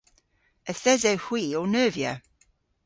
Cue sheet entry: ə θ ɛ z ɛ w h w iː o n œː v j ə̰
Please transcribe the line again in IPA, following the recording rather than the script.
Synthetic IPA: ə θ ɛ z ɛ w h w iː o n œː v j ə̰